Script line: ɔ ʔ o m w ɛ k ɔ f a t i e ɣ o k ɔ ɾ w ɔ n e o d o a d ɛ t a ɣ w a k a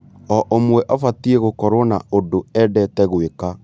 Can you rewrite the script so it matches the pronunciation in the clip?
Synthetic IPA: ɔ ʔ o m w ɛ ʔ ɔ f a t i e ɣ o k ɔ ɾ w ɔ n a o d o ɛ d ɛ t ɛ ɣ w e k a